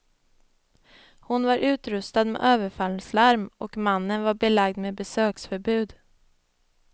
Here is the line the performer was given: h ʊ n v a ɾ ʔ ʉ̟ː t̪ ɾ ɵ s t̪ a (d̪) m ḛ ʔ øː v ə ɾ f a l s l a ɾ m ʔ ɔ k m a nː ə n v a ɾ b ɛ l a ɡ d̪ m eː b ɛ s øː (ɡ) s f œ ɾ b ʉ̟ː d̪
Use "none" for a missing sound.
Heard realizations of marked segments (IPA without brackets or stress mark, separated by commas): d̪, k